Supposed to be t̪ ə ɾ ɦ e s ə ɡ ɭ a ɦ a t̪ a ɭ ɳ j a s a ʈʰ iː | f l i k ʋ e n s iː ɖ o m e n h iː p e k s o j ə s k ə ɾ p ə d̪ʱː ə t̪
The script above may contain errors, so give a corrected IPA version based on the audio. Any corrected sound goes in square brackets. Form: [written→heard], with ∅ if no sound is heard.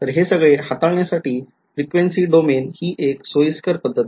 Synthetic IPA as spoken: t̪ ə ɾ ɦ e s ə ɡ ɭ [a→e] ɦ a t̪ a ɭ ɳ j a s a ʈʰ iː | f [l→ɾ] i k ʋ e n s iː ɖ o m e n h iː [p→ʔ] e k s o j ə s k ə ɾ p ə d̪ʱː ə t̪